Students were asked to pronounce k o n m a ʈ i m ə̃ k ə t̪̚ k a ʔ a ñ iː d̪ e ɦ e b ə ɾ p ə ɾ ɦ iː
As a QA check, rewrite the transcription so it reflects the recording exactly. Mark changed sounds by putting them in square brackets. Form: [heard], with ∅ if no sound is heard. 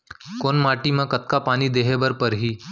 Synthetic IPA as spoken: k o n m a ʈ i m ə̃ k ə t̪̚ k a [p] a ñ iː d̪ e ɦ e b ə ɾ p ə ɾ ɦ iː